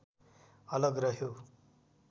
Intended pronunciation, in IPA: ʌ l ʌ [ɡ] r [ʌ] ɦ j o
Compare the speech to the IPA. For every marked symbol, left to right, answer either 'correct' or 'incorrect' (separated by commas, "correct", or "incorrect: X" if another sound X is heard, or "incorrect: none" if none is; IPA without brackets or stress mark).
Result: correct, correct